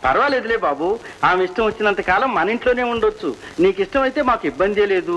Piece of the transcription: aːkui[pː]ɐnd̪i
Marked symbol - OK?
no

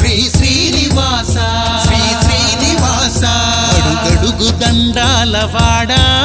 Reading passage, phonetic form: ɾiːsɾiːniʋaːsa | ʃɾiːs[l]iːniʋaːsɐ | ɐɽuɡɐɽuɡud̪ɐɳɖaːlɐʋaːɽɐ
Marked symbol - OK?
no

